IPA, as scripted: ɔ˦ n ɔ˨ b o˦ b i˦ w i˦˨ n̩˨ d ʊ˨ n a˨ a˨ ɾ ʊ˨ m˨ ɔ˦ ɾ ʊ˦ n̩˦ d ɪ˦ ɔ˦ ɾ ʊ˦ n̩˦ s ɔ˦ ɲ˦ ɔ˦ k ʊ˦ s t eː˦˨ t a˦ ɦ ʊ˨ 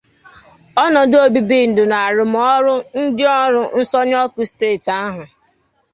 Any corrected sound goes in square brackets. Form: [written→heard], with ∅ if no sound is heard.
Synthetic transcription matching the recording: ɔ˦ n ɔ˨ [b→d] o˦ b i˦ [w→b] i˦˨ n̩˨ d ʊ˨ n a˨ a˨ ɾ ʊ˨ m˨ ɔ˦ ɾ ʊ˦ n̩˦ d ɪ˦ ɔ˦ ɾ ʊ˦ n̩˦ s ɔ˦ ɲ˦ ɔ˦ k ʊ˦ s t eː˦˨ t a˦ ɦ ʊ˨